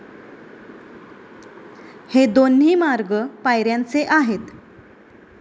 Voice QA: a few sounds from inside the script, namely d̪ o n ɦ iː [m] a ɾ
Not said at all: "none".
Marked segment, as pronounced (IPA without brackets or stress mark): m